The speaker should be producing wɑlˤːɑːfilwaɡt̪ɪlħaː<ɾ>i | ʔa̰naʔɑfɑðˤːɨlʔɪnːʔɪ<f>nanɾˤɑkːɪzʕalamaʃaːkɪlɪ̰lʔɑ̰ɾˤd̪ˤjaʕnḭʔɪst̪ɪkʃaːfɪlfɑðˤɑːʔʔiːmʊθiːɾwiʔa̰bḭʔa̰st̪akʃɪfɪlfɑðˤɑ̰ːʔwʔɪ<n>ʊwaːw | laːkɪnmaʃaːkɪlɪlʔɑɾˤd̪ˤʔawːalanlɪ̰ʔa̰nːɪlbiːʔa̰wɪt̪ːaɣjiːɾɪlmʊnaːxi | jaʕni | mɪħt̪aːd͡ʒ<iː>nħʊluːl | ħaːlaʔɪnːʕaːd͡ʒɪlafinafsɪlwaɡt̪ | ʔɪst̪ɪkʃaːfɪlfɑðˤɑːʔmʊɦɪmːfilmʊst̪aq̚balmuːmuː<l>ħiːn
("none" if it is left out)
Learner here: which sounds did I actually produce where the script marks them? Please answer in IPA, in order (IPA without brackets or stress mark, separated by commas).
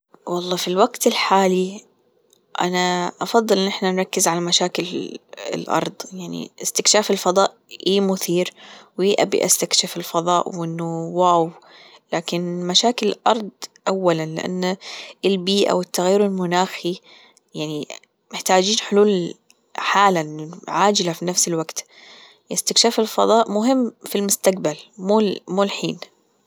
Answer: l, ħ, nː, iː, l